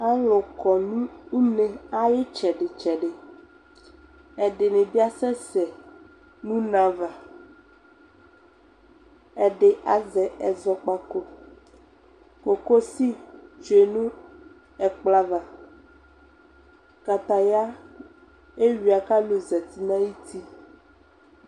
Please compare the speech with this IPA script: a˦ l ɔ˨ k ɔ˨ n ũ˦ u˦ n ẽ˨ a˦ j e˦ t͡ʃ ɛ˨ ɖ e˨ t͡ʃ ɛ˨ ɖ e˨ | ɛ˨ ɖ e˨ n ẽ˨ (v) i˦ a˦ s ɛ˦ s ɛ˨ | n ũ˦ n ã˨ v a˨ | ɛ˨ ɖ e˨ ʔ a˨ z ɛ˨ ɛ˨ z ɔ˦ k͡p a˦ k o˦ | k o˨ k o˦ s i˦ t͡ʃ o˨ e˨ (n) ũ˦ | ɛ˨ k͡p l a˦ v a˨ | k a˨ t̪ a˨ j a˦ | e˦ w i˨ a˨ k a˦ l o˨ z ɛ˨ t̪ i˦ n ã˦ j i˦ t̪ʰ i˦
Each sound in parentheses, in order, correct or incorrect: incorrect: b, correct

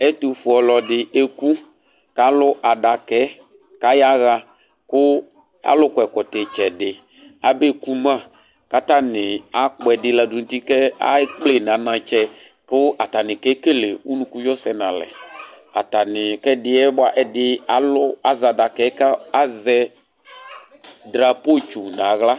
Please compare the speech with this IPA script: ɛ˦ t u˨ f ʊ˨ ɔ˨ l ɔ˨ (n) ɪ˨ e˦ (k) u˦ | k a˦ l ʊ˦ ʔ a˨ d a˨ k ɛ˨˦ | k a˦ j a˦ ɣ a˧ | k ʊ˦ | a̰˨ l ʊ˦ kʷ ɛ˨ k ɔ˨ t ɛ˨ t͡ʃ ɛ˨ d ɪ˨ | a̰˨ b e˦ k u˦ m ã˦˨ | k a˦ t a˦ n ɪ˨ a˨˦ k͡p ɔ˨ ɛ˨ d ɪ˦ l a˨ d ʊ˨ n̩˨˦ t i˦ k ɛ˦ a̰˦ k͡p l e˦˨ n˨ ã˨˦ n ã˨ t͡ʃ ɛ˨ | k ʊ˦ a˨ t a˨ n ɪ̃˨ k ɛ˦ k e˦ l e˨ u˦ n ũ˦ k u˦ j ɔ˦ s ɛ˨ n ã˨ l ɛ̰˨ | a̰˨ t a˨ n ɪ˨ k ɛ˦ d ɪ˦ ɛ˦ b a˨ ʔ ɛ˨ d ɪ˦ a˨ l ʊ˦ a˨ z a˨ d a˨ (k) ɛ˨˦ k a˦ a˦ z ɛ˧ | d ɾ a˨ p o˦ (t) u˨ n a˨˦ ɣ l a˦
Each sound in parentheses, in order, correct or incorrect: incorrect: d, correct, correct, incorrect: t͡ʃ

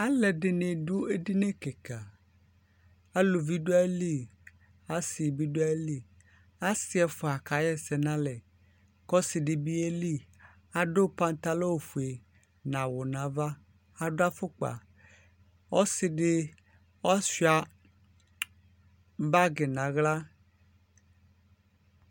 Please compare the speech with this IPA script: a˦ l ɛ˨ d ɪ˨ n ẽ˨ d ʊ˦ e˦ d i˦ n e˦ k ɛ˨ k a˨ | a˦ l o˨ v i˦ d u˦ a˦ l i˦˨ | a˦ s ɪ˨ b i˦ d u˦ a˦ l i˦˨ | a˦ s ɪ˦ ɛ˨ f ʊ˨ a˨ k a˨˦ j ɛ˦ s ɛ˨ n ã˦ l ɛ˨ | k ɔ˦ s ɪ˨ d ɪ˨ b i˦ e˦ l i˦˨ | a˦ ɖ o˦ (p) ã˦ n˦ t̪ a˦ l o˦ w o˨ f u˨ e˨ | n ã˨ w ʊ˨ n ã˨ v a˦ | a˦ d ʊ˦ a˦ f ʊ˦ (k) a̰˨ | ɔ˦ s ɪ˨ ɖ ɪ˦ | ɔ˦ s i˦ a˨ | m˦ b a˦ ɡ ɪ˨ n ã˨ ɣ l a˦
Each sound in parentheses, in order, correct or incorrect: correct, incorrect: k͡p

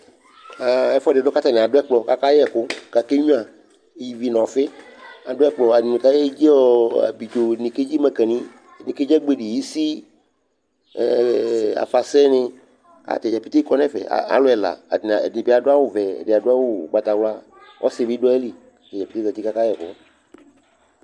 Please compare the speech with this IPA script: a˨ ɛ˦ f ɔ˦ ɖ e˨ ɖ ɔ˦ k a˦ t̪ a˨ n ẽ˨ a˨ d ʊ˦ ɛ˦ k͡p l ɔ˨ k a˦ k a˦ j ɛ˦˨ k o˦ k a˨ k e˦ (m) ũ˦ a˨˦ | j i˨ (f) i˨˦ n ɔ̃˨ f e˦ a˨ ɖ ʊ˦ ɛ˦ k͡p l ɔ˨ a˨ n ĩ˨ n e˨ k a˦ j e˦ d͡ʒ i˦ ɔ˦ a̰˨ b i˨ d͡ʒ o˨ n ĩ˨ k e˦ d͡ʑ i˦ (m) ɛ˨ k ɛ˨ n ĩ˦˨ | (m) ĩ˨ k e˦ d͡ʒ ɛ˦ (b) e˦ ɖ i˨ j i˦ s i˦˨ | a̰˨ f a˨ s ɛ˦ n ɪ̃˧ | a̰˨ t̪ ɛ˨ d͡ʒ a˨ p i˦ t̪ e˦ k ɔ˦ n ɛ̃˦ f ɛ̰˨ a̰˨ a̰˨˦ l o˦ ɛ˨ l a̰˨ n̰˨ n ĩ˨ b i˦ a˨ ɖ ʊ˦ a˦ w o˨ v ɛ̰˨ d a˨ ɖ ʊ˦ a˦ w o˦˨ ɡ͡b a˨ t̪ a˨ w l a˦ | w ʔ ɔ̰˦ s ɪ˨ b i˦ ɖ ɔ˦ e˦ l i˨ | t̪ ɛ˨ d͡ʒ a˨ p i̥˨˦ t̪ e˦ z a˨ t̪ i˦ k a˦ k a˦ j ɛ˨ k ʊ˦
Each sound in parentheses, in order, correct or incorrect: incorrect: ɲ, incorrect: v, correct, incorrect: n, incorrect: ɡ͡b

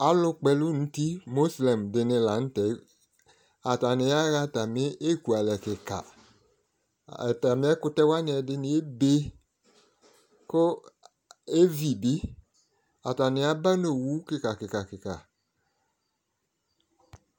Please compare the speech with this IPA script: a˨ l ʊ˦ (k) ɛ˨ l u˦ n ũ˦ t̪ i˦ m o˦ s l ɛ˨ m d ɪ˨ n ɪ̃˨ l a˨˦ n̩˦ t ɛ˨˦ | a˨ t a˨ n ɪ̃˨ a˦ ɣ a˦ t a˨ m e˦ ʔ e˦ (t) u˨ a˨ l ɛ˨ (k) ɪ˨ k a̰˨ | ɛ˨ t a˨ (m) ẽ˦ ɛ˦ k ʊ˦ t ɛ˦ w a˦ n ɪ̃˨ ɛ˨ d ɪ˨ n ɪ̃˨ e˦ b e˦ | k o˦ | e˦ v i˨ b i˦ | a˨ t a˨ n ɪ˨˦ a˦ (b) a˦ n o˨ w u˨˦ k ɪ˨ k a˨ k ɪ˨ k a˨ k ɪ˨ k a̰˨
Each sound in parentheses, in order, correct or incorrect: incorrect: k͡p, incorrect: k, correct, correct, correct

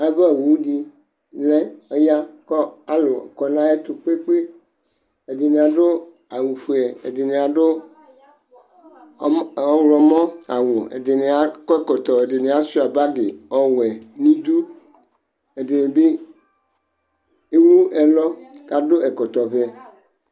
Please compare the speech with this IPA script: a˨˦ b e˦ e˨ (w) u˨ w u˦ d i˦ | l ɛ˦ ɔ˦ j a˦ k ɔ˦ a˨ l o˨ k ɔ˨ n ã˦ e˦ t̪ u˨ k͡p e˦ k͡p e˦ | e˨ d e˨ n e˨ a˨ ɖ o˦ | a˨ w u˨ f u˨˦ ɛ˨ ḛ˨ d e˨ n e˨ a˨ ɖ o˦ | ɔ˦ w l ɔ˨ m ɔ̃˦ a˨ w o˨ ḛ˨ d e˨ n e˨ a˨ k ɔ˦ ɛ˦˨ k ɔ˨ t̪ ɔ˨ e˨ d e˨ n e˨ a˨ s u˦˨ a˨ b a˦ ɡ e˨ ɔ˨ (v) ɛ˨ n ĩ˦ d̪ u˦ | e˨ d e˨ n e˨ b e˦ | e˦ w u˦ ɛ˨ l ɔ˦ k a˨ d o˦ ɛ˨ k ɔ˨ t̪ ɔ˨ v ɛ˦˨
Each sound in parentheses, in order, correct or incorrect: correct, incorrect: w

